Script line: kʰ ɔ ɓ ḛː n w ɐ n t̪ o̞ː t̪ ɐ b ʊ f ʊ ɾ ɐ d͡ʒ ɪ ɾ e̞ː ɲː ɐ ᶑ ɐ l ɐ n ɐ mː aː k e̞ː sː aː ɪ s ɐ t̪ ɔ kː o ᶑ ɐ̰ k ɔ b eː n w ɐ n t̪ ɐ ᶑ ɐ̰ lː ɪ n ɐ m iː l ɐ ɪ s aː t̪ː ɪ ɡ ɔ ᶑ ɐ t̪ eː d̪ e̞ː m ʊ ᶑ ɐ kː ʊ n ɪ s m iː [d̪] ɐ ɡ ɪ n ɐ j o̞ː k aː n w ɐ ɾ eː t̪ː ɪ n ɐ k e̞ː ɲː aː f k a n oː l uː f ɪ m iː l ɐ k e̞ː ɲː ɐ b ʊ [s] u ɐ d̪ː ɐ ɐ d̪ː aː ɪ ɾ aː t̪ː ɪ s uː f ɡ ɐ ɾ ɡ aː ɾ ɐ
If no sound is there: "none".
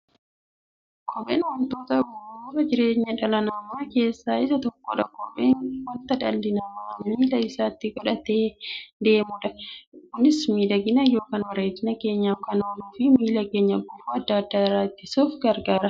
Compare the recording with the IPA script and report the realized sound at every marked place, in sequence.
d̪, f

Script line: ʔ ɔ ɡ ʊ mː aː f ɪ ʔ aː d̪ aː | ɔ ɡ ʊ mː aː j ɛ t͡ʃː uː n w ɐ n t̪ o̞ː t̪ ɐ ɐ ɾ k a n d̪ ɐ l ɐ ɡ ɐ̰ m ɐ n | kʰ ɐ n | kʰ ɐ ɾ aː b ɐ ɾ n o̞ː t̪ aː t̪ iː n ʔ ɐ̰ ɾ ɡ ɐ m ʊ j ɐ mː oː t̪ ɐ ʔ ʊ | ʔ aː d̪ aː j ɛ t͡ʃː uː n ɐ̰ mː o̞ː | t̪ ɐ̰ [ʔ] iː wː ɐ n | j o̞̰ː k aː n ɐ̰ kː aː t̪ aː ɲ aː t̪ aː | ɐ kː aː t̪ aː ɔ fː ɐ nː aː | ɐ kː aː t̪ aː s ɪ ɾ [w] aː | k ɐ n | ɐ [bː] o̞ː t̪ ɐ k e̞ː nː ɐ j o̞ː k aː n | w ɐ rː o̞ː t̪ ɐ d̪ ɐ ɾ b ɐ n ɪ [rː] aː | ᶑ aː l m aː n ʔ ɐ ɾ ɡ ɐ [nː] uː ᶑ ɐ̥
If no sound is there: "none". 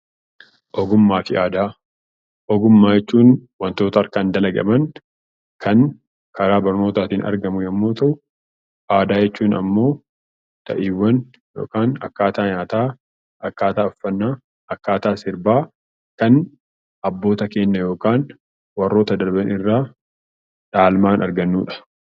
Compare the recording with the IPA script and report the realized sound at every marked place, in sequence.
ʔ, b, bː, rː, nː

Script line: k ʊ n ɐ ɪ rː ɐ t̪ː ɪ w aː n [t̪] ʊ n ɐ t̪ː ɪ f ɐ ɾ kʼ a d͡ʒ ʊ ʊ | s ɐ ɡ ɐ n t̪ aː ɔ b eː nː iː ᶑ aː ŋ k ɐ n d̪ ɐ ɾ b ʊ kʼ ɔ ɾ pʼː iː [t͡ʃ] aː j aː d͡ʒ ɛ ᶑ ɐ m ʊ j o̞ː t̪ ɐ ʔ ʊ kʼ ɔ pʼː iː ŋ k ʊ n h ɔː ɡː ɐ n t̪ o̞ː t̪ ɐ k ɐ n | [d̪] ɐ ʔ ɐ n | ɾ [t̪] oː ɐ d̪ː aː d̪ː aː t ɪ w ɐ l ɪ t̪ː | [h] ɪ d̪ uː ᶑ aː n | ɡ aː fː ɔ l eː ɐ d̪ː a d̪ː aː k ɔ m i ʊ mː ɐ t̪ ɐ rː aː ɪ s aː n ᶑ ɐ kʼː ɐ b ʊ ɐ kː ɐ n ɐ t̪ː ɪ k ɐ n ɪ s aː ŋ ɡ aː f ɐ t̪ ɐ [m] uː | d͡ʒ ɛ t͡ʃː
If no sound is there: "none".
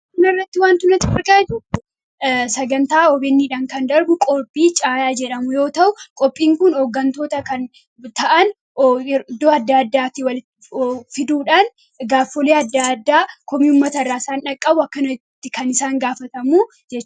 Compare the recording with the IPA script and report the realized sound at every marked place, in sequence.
t̪, t͡ʃʼ, t̪, d̪, f, m

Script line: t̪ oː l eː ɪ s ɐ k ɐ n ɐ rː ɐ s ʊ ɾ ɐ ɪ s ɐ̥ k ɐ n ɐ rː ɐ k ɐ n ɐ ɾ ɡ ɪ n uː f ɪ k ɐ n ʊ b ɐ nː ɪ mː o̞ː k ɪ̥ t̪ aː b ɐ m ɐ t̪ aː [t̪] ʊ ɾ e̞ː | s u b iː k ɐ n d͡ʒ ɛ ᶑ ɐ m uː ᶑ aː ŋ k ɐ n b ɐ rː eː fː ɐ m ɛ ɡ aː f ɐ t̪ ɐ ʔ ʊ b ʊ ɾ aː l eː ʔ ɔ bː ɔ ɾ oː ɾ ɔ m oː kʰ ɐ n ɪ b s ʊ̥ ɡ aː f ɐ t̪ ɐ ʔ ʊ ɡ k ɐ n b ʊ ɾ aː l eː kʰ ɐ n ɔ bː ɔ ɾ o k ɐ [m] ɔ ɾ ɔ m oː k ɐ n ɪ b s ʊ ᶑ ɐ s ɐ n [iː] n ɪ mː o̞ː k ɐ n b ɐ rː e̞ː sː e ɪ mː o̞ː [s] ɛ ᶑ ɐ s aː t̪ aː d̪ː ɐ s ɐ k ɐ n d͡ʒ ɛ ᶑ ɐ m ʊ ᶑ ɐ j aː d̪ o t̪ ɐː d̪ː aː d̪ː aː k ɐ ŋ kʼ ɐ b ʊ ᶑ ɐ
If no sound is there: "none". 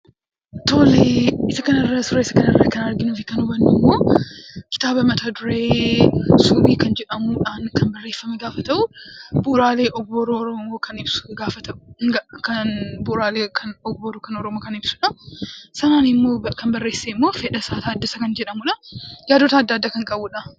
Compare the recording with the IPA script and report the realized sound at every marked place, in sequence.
d̪, n, aː, f

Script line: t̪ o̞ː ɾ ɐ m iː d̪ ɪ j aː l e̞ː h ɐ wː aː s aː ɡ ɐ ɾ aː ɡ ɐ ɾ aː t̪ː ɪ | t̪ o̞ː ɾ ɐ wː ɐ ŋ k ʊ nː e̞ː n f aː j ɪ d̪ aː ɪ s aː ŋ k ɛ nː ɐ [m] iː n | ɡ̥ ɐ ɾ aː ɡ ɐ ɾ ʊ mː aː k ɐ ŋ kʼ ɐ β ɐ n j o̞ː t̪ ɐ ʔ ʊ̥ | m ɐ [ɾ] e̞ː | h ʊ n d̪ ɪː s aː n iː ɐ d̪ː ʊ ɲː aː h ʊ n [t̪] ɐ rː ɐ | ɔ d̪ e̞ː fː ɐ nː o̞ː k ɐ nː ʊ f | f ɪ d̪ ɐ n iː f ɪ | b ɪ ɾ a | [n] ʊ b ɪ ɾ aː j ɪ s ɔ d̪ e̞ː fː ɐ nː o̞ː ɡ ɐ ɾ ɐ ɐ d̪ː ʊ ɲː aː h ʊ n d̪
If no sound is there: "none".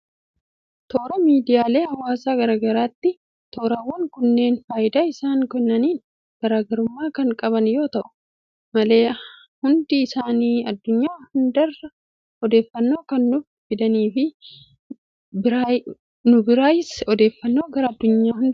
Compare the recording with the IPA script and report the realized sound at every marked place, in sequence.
n, l, d̪, n

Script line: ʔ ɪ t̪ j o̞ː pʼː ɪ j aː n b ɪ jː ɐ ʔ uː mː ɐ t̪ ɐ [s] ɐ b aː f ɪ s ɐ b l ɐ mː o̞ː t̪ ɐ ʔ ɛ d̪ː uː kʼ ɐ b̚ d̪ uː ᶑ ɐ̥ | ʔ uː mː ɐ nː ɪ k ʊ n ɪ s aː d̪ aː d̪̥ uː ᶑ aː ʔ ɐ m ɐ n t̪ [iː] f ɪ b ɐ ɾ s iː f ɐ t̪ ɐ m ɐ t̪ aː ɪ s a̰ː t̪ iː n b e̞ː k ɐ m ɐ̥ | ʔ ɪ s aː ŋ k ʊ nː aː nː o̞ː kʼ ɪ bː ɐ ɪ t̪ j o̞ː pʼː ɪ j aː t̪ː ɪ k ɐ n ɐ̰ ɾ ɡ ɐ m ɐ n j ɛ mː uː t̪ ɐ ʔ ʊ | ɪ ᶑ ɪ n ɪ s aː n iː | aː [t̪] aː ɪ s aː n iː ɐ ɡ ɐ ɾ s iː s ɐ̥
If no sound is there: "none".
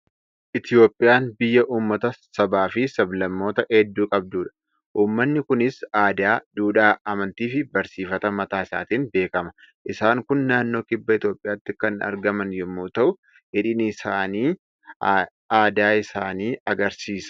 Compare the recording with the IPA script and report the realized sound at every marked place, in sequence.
s, iː, d̪

